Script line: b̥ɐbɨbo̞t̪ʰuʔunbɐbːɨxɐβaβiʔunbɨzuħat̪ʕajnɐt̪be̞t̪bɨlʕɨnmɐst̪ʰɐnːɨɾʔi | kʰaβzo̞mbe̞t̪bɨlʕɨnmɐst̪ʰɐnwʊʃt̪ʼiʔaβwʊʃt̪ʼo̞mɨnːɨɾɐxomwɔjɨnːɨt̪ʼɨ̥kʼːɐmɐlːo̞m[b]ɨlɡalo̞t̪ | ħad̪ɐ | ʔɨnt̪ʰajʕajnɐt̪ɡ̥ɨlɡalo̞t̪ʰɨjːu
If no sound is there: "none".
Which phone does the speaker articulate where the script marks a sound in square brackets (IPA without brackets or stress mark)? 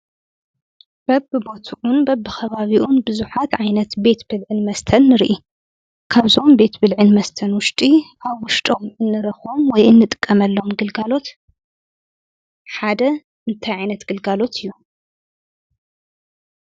ɡ